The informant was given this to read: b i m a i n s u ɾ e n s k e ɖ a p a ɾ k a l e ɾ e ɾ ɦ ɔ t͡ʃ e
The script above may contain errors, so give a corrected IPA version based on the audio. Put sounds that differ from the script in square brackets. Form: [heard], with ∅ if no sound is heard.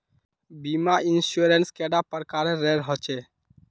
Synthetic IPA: b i m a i n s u ɾ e n s k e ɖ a p [ə] ɾ k a [ɾ] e ɾ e ɾ ɦ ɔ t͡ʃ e